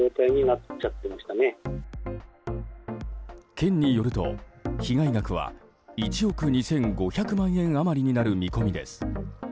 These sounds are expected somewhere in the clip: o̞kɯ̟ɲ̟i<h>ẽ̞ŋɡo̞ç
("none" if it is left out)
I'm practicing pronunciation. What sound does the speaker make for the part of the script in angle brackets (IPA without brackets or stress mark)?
s